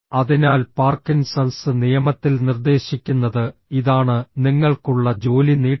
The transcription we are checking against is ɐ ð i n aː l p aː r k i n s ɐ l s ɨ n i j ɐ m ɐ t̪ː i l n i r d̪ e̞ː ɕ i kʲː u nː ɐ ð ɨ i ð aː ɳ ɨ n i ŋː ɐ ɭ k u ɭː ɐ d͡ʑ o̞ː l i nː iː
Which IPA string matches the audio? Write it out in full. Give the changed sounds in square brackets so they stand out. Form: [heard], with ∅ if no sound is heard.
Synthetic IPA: ɐ ð i n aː l p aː r k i n s ɐ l s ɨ n i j ɐ m ɐ t̪ː i l n i r d̪ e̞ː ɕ i kʲː u nː ɐ ð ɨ i ð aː ɳ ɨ n i ŋː ɐ ɭ k u ɭː ɐ d͡ʑ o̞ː l i [n] iː